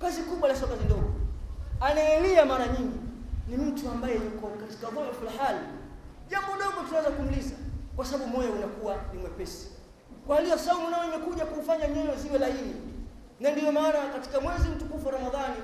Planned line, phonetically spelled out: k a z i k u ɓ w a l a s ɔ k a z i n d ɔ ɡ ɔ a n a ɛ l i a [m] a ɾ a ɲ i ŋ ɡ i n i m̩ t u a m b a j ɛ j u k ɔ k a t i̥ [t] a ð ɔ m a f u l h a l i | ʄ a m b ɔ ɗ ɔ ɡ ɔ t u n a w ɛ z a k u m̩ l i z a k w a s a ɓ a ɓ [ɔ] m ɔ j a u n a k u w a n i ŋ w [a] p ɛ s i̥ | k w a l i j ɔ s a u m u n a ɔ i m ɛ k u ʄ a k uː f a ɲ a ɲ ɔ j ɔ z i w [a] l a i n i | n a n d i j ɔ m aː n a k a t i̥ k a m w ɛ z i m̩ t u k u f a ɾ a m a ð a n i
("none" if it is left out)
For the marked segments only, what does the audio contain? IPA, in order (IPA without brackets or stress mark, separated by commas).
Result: m, k, u, ɛ, ɛ